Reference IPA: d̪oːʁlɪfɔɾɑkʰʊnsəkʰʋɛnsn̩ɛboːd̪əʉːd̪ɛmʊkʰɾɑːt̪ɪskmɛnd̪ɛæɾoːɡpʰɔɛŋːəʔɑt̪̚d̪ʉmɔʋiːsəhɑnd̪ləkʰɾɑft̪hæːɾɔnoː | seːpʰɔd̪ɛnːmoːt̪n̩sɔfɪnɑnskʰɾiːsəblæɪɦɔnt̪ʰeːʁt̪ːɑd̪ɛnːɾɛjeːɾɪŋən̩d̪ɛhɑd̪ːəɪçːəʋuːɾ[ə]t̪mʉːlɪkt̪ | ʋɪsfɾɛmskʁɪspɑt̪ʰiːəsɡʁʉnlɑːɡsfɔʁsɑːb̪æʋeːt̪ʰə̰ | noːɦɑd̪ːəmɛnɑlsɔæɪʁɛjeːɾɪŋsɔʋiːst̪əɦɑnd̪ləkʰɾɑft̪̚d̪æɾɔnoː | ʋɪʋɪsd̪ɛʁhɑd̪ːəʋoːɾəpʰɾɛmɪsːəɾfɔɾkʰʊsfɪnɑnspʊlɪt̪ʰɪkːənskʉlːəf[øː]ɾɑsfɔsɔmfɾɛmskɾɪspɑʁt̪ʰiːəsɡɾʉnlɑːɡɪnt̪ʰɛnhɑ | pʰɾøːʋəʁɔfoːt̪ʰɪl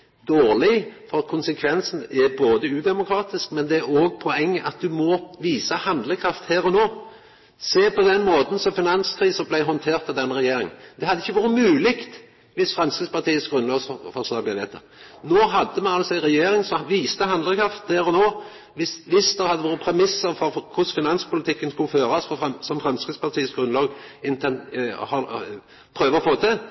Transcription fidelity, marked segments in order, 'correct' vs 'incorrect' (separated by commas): correct, correct